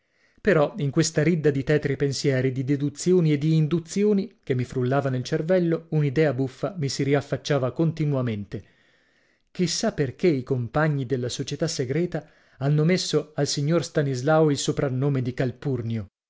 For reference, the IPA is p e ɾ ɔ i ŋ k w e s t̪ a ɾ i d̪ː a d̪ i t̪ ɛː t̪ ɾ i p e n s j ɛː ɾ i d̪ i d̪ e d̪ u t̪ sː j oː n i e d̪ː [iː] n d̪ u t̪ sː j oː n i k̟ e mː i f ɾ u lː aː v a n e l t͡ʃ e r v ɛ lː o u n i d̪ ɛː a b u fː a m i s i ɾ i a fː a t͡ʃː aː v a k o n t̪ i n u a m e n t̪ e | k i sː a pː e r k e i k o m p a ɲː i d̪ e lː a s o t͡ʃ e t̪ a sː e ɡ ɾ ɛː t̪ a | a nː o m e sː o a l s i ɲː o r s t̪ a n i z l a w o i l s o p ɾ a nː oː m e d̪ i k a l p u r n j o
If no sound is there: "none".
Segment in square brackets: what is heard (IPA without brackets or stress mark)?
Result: iː